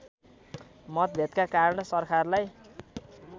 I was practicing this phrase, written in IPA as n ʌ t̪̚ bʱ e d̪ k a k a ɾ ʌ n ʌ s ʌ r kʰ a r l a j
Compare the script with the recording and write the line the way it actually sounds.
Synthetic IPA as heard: m ʌ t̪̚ bʱ e t̪ k a k a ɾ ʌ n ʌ s ʌ r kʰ a r l a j